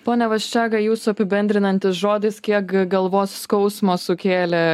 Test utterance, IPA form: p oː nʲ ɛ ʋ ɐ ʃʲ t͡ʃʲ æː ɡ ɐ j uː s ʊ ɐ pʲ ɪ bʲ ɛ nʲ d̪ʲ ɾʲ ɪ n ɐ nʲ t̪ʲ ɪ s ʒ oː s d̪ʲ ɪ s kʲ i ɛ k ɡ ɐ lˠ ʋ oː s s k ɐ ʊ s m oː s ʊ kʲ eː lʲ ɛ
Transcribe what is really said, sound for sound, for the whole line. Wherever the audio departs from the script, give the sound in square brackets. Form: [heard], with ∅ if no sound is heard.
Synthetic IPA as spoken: p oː nʲ ɛ ʋ ɐ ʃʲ t͡ʃʲ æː ɡ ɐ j uː s ʊ ɐ pʲ ɪ bʲ ɛ nʲ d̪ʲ ɾʲ ɪ n ɐ nʲ t̪ʲ ɪ s ʒ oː [∅] d̪ʲ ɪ s kʲ i ɛ k ɡ ɐ lˠ ʋ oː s s k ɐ ʊ s m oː s ʊ kʲ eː lʲ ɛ